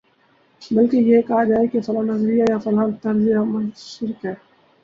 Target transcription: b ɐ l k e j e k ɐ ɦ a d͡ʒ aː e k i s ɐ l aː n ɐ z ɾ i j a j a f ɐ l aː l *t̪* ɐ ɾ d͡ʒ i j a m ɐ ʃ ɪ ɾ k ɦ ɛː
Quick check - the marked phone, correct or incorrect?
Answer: correct